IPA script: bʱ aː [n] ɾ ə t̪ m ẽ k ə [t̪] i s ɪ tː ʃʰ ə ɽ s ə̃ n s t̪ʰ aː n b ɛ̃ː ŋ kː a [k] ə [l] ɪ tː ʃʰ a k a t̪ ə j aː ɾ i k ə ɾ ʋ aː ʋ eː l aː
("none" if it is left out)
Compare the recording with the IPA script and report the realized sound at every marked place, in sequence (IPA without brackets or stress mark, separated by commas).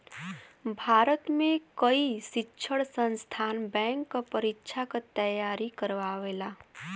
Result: none, none, p, ɾ